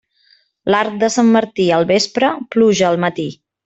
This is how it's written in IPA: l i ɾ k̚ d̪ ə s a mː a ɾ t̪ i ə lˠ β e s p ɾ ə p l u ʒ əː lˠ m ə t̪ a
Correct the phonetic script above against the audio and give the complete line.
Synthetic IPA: l a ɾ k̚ d̪ ə s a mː ə ɾ t̪ i ə lˠ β e s p ɾ ə p l u ʒ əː lˠ m ə t̪ i